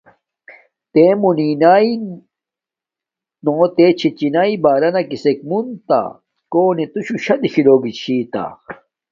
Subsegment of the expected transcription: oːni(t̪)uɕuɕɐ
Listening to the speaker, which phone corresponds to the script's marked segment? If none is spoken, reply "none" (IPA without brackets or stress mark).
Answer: t̪